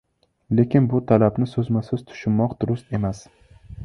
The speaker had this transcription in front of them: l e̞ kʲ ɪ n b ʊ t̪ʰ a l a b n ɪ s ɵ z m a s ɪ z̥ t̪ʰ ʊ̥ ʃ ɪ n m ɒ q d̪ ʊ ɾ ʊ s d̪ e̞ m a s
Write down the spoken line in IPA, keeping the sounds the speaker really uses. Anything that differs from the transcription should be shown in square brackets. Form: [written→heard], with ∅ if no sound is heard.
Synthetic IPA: l e̞ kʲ ɪ n b ʊ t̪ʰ a l a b n ɪ s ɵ z m a s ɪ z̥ t̪ʰ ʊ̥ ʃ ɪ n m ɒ q d̪ ʊ ɾ ʊ s [d̪→t̪] e̞ m a s